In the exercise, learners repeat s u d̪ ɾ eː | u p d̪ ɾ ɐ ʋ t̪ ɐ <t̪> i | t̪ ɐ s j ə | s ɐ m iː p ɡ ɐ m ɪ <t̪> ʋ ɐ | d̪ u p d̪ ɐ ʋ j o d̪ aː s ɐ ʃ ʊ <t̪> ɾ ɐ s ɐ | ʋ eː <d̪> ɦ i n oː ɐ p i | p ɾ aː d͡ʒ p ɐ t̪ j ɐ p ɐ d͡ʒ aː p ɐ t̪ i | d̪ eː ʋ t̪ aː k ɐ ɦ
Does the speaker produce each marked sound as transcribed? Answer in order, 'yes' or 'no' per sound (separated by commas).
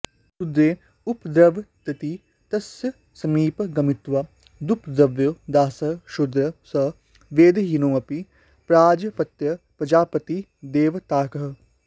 yes, yes, no, yes